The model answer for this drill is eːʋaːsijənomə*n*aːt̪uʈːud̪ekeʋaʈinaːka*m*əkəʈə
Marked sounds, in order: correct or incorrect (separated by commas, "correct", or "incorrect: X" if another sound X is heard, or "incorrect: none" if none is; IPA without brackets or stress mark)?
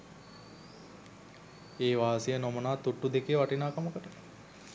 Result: correct, correct